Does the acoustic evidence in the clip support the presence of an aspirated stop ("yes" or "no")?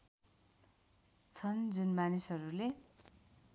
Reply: yes